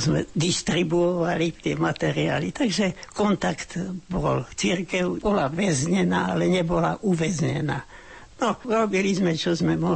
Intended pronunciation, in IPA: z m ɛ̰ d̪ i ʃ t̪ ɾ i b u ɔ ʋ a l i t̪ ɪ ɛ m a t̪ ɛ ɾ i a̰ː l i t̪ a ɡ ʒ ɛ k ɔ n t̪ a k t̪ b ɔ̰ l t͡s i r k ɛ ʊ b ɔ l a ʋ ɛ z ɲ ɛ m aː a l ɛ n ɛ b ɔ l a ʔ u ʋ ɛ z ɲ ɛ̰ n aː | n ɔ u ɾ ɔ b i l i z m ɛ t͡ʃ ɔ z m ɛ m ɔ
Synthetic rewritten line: z m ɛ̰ d̪ i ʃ t̪ ɾ i b u ɔ ʋ a l i t̪ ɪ ɛ m a t̪ ɛ ɾ i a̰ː l i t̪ a ɡ ʒ ɛ k ɔ n t̪ a k t̪ b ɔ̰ l t͡s i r k ɛ ʊ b ɔ l a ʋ ɛ z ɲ ɛ n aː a l ɛ ɲ ɛ b ɔ l a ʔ u ʋ ɛ z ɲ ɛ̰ n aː | n ɔ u ɾ ɔ b i l i z m ɛ t͡ʃ ɔ z m ɛ m ɔ